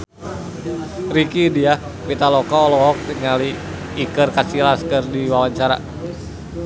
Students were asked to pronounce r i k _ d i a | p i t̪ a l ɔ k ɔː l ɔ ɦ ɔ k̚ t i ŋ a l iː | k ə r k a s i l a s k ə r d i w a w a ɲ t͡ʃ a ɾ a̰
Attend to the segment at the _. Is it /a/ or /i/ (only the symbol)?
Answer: i